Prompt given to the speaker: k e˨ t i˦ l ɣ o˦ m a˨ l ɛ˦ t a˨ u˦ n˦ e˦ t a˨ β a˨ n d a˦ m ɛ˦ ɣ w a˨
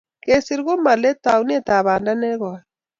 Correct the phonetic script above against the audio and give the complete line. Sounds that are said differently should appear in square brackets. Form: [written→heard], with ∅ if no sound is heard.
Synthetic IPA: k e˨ [t→s] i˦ [l→ɾ] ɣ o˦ m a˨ l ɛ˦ t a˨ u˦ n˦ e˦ t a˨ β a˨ n d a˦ [m→n] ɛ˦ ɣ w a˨

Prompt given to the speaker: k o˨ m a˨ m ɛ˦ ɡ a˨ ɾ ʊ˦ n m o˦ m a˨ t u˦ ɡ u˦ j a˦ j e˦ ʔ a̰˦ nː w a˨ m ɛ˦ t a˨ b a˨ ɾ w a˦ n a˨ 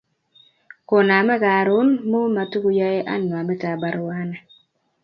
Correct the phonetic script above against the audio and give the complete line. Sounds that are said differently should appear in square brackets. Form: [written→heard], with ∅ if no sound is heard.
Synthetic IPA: k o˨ [m→n] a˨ m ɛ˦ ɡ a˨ ɾ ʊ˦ n m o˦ m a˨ t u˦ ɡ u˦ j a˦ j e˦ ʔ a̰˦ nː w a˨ m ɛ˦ t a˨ b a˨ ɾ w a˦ n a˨

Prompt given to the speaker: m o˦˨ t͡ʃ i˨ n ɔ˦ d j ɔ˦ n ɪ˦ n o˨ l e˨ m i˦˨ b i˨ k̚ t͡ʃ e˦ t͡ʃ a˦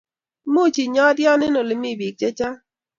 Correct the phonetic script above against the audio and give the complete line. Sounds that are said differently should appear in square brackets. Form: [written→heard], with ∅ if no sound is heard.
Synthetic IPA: m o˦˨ t͡ʃ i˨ [n→ɲ] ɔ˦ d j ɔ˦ n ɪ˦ n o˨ l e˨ m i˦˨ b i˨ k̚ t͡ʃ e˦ t͡ʃ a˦

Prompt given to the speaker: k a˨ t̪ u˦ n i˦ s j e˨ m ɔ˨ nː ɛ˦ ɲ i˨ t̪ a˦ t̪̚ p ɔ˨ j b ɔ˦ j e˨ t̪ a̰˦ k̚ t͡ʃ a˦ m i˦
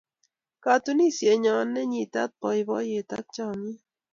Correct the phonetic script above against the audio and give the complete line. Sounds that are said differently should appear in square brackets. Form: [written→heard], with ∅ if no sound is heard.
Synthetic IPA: k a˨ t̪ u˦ n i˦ s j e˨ [m→ɲ] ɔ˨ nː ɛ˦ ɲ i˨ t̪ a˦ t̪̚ p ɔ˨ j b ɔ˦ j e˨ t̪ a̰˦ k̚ t͡ʃ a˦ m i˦

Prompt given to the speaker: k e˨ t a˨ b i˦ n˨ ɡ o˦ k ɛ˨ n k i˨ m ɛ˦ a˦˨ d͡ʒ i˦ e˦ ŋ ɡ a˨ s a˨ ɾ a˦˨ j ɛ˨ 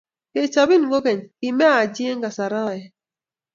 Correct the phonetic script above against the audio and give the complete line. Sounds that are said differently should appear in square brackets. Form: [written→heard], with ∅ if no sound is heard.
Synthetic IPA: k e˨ [t→t͡ʃ] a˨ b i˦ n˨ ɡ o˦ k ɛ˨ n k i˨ m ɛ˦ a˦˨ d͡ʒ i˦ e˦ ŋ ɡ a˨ s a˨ ɾ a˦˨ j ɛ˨

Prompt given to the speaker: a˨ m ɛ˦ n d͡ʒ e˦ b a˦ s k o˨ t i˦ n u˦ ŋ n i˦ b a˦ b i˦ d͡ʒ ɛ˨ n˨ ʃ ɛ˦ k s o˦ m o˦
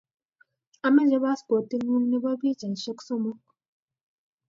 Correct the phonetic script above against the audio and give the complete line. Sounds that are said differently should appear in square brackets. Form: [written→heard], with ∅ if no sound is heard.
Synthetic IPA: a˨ m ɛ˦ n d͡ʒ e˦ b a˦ s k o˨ t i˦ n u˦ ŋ n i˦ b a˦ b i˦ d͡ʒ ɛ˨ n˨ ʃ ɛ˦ k s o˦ m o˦

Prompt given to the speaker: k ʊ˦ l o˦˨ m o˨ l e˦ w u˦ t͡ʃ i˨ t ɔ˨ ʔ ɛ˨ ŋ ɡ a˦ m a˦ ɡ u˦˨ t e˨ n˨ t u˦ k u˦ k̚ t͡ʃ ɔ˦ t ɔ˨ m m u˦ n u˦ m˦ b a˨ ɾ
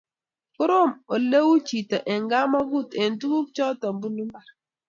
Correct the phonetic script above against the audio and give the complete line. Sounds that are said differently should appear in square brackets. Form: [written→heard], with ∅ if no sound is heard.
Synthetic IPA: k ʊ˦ [l→ɾ] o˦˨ m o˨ l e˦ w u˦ t͡ʃ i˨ t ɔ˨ ʔ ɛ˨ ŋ ɡ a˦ m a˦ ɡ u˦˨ t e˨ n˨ t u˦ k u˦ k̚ t͡ʃ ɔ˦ t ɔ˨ m [m→b] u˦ n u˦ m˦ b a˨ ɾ

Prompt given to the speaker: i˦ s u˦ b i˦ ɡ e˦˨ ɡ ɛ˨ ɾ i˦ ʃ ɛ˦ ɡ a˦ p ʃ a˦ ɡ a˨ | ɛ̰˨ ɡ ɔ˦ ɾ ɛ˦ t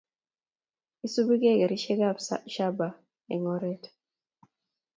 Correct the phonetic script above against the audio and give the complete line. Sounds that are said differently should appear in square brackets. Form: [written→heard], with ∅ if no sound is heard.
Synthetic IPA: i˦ s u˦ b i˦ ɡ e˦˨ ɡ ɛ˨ ɾ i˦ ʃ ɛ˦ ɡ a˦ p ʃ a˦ [ɡ→b] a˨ | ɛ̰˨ [ɡ→ŋ] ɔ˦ ɾ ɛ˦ t

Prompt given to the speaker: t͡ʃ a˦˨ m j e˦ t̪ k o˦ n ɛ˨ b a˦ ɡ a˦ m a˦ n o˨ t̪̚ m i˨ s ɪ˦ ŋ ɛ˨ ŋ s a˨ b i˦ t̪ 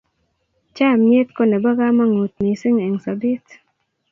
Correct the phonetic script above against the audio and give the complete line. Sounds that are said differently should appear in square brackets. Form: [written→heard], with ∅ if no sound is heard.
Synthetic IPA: t͡ʃ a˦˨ m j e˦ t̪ k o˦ n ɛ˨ b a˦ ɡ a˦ m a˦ [n→ŋ] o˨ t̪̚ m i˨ s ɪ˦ ŋ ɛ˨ ŋ s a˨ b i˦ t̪

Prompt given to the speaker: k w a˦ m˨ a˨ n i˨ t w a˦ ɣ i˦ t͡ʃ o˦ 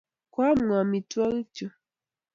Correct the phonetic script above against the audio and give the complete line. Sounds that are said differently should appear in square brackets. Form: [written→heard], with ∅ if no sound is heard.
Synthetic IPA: k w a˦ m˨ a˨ [n→m] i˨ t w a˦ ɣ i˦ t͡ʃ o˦

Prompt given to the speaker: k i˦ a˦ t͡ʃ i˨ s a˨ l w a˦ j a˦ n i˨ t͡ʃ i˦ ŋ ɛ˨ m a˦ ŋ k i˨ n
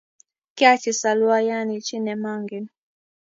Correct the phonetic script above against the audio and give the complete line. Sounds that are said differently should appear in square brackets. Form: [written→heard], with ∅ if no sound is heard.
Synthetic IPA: k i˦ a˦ t͡ʃ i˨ s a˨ l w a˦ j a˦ n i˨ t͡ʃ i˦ [ŋ→n] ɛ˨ m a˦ ŋ [k→ɡ] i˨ n

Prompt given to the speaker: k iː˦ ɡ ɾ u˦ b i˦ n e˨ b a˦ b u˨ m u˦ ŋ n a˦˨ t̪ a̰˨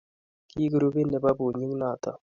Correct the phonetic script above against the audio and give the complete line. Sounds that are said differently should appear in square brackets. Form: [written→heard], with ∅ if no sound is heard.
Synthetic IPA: k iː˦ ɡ ɾ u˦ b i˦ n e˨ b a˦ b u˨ [m→ɲ] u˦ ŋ n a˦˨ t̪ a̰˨

